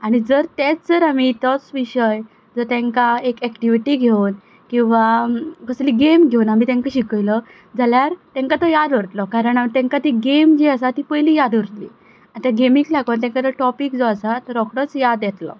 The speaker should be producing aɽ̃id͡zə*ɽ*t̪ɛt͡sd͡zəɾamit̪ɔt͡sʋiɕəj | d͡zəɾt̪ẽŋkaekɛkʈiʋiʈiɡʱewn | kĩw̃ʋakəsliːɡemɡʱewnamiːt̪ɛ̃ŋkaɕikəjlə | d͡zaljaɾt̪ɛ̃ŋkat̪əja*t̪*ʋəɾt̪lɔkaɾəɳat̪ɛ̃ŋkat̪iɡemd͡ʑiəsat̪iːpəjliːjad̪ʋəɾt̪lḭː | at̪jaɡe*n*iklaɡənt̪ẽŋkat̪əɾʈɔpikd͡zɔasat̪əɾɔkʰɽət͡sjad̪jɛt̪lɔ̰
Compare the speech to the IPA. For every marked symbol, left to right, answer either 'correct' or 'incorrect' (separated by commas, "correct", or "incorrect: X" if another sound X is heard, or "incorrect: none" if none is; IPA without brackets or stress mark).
incorrect: ɾ, incorrect: d̪, incorrect: m